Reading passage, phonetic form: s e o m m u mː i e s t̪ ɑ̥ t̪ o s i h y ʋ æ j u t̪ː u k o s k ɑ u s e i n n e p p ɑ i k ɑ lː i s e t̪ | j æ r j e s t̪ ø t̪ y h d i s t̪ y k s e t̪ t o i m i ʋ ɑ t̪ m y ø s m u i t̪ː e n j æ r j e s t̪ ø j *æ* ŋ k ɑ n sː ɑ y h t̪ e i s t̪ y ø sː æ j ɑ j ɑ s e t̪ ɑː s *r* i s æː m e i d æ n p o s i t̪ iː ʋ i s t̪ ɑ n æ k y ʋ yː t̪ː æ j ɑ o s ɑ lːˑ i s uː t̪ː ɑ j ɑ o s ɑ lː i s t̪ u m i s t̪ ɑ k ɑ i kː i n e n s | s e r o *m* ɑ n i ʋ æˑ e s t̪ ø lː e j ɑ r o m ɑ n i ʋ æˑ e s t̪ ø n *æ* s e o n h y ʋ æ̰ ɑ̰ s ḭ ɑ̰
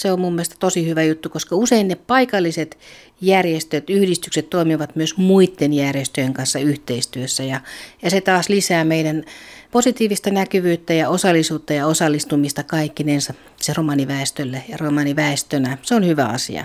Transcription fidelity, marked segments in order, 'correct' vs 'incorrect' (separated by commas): incorrect, incorrect, correct, correct